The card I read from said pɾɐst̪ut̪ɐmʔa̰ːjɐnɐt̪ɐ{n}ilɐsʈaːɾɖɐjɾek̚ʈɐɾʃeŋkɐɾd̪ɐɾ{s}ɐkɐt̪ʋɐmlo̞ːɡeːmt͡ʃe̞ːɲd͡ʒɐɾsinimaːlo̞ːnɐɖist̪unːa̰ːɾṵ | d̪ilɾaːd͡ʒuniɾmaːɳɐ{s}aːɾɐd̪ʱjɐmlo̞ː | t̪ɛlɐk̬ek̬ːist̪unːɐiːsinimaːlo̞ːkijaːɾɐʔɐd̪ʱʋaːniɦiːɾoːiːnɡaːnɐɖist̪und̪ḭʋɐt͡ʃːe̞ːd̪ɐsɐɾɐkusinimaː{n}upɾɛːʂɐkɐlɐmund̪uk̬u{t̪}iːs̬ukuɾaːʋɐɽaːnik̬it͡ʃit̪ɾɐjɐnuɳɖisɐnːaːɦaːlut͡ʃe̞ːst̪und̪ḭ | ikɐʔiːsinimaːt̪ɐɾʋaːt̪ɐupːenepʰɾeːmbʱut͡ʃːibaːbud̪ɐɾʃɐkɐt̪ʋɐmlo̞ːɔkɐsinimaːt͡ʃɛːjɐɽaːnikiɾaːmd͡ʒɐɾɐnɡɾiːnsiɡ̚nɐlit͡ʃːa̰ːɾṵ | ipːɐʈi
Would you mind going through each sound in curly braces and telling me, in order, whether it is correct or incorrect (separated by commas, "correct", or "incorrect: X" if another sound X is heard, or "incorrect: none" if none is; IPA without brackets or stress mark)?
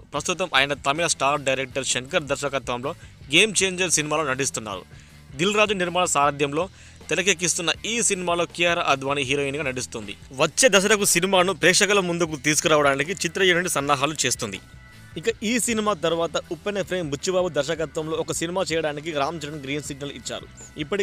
incorrect: m, incorrect: ʃ, correct, correct, correct